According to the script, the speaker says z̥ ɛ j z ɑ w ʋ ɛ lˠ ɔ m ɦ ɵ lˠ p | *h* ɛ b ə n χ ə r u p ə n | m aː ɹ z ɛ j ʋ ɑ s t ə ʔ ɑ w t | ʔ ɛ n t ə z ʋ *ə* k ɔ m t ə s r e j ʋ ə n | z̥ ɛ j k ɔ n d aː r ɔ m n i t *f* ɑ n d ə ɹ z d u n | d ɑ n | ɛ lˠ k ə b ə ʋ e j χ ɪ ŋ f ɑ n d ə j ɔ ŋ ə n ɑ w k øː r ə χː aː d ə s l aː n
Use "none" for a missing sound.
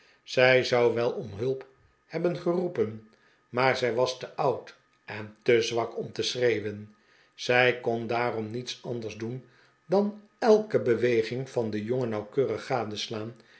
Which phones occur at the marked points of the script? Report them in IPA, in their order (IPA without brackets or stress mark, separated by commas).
h, ɑ, s